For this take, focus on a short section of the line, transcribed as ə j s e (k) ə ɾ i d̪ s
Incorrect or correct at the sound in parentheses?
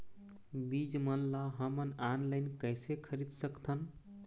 incorrect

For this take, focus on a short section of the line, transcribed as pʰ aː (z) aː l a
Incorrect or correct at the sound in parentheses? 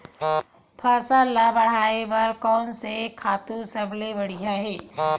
incorrect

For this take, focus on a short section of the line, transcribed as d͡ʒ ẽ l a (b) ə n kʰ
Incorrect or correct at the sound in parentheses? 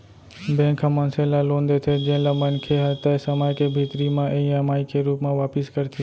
incorrect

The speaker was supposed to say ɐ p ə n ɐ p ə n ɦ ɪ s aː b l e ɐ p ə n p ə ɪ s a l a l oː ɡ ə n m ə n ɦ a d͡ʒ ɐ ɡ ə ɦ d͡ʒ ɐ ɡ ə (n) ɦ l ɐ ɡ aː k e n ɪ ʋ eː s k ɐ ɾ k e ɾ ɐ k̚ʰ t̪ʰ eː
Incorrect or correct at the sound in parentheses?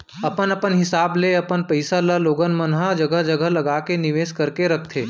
incorrect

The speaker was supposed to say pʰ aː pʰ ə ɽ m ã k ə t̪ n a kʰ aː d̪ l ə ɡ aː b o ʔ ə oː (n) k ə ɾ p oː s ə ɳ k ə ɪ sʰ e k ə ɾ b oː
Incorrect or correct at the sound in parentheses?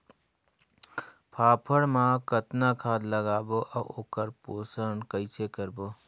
incorrect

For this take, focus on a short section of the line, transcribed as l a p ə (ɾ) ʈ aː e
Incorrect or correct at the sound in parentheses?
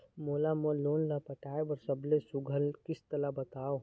incorrect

